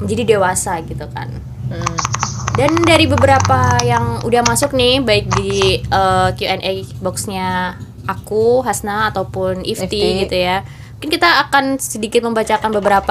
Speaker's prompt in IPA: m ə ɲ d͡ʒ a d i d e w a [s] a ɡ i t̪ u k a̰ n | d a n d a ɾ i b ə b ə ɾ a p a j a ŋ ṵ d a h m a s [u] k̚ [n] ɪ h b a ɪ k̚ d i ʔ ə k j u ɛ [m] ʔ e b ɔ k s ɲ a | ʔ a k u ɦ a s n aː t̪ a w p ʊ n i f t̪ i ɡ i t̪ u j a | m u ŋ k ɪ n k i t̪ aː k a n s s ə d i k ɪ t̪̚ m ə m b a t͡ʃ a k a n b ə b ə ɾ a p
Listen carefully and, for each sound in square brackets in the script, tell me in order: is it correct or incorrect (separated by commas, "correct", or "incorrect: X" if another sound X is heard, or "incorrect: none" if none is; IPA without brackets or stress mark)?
correct, incorrect: ʊ, correct, incorrect: n